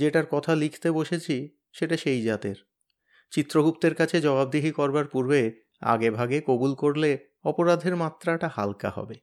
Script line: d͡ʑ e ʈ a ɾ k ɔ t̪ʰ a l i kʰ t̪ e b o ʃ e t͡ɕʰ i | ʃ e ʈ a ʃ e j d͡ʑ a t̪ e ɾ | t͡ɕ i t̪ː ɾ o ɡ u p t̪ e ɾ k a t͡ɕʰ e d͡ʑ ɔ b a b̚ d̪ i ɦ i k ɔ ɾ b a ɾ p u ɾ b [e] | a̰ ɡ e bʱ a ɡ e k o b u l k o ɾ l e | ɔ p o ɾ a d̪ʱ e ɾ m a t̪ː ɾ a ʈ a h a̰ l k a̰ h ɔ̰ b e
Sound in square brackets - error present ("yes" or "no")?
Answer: no